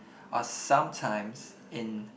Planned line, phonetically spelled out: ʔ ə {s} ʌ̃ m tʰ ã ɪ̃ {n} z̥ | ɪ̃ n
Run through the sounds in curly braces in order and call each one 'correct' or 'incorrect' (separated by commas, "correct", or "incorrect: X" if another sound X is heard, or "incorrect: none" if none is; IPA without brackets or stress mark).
correct, incorrect: m